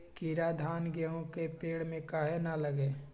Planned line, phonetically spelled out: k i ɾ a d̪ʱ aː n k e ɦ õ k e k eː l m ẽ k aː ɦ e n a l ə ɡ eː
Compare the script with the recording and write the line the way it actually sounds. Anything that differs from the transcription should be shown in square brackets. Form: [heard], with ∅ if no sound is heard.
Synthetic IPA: k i ɾ a d̪ʱ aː n [ɡ] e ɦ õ k e [p] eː [ɽ] m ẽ k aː ɦ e n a l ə ɡ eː